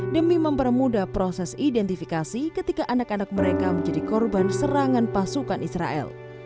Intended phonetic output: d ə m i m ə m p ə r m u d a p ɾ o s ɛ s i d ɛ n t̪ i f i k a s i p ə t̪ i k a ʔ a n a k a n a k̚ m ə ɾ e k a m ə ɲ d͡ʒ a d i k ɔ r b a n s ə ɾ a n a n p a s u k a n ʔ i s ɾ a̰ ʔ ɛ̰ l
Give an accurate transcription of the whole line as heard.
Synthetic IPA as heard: d ə m i m ə m p ə r m u d a p ɾ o s ɛ s i d ɛ n t̪ i f i k a s i k ə t̪ i k a ʔ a n a k a n a k̚ m ə ɾ e k a m ə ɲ d͡ʒ a d i k ɔ r b a n s ə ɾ a ŋ a n p a s u k a n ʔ i s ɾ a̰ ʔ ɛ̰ l